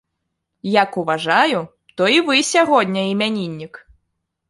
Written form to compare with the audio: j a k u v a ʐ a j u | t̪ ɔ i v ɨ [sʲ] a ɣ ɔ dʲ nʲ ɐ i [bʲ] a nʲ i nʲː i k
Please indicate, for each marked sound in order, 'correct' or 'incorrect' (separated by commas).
correct, incorrect